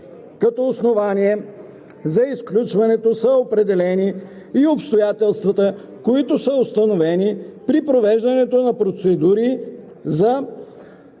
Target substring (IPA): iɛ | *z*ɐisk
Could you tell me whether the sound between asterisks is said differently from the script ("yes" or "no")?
no